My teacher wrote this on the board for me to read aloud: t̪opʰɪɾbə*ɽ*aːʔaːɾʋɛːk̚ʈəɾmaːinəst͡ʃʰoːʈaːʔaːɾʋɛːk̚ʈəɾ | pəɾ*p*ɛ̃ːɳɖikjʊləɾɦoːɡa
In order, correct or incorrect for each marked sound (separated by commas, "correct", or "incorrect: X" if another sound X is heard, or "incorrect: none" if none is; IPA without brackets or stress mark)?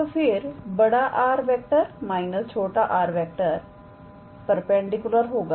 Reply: correct, correct